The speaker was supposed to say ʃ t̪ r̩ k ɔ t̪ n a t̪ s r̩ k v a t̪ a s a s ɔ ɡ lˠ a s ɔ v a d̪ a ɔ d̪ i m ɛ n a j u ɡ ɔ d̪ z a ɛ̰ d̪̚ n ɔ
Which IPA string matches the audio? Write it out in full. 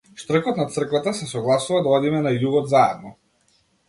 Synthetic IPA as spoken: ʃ t̪ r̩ k ɔ t̪ n a t̪ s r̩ k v a t̪ a s ɛ s ɔ ɡ lˠ a s u v a d̪ a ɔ d̪ i m ɛ n a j u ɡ ɔ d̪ z a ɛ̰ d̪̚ n ɔ